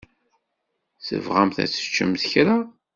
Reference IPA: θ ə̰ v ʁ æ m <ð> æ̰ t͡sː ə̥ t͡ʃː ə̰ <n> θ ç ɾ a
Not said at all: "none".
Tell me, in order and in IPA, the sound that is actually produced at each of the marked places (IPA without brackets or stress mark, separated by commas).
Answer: θ, m